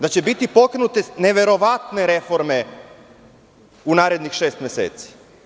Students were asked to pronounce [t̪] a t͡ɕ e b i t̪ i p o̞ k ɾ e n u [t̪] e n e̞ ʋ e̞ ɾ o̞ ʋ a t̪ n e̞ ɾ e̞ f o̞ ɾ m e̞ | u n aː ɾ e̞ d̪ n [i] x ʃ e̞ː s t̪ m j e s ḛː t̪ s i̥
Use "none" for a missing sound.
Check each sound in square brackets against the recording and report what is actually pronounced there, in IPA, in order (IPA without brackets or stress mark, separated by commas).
d̪, t̪, i